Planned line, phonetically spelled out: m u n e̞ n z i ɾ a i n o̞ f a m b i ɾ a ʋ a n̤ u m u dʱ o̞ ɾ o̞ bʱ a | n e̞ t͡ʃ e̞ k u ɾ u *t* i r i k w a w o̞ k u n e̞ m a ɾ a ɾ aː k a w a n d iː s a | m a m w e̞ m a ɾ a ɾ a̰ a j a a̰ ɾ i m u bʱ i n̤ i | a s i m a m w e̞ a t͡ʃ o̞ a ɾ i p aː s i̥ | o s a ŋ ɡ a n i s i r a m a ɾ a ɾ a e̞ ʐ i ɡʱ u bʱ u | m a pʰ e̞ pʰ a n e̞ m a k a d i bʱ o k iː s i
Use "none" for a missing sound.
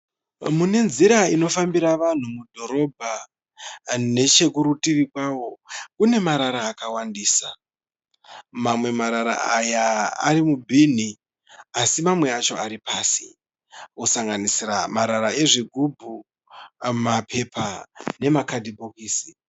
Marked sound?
t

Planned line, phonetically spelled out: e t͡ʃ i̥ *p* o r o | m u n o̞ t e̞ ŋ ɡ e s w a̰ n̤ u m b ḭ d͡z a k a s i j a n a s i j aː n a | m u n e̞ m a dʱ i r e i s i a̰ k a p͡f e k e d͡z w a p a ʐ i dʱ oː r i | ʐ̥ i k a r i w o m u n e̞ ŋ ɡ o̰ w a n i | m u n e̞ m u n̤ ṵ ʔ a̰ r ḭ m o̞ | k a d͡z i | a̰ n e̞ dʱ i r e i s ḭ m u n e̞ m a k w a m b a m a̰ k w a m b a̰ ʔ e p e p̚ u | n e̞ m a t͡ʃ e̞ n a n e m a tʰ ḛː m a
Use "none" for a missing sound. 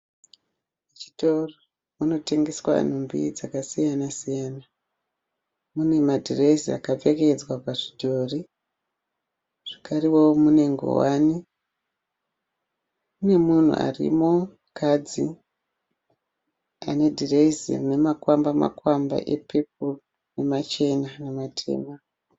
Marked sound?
t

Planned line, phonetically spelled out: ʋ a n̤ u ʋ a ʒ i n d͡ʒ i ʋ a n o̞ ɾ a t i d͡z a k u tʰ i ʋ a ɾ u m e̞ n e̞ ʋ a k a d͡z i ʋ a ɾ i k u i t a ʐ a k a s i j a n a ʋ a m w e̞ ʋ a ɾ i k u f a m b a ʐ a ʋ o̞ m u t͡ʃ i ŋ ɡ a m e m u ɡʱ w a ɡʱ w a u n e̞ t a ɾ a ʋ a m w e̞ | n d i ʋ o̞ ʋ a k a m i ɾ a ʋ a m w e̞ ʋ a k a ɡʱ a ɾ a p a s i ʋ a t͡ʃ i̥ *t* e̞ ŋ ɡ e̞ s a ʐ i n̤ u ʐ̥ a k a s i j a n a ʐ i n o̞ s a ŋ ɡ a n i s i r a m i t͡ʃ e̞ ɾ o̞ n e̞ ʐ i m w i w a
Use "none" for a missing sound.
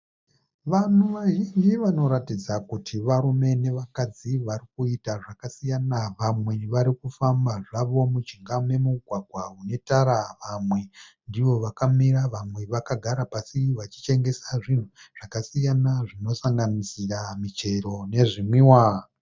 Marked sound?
t͡ʃ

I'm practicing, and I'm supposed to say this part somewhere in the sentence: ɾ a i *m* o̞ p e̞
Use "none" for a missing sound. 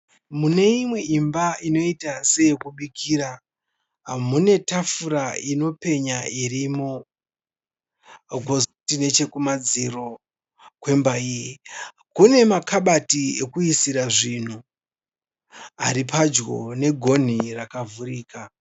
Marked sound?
n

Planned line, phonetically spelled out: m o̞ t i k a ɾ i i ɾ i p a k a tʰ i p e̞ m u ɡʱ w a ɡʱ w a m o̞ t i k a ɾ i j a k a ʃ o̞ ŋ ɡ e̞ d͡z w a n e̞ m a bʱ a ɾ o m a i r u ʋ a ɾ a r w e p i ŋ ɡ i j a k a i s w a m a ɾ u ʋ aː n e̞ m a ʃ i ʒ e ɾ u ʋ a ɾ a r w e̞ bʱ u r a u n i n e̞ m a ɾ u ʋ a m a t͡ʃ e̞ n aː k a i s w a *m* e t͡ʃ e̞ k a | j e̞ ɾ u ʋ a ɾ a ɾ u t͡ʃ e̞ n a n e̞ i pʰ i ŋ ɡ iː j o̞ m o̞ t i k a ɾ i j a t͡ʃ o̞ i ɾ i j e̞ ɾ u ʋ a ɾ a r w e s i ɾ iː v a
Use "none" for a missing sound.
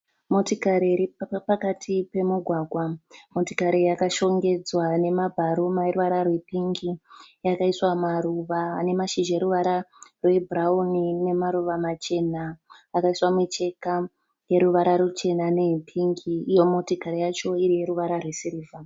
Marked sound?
m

